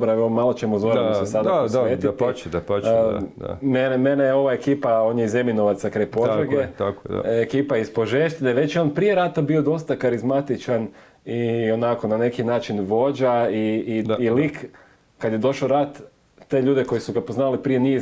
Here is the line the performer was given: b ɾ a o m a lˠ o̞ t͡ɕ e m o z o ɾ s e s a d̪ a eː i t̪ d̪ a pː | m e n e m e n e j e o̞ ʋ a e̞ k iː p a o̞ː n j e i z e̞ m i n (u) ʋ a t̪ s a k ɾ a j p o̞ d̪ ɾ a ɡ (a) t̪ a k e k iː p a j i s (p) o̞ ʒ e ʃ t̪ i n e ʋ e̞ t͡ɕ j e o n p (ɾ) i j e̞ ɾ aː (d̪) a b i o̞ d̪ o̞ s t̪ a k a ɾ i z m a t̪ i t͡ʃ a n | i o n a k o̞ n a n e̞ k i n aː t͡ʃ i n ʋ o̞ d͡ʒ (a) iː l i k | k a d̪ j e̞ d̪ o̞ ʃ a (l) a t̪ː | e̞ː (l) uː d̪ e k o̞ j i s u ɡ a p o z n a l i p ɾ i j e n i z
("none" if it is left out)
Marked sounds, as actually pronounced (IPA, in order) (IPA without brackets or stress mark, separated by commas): o, e, p, ɾ, t̪, a, ɾ, ʎ